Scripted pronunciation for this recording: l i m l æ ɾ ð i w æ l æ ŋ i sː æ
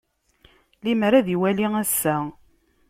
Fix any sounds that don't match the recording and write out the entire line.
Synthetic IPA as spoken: l i m ɾ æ ð i w æ l i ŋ æ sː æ